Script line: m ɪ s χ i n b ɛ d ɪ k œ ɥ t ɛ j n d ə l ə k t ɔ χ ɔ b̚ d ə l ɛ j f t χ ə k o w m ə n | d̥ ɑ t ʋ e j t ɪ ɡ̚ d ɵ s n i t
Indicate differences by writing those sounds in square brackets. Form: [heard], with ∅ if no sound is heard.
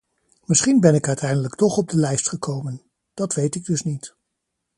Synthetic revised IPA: m ɪ s χ i n b ɛ [n] ɪ k œ ɥ t ɛ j n d ə l ə k t ɔ χ ɔ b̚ d ə l ɛ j [s] t χ ə k o w m ə n | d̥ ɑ t ʋ e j t ɪ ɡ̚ d ɵ s n i t

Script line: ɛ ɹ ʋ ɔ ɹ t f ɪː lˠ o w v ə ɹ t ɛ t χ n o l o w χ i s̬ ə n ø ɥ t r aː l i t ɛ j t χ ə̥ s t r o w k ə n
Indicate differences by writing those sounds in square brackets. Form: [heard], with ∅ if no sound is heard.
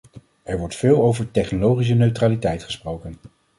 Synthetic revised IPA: ɛ ɹ ʋ ɔ ɹ t f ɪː lˠ o w v ə ɹ t ɛ [∅] χ n o l o w χ i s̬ ə n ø ɥ t r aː l i t ɛ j t χ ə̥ s [p] r o w k ə n

